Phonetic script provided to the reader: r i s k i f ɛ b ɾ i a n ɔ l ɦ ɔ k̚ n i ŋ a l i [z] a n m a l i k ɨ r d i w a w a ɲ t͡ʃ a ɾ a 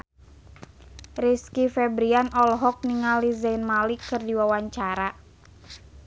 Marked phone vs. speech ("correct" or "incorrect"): correct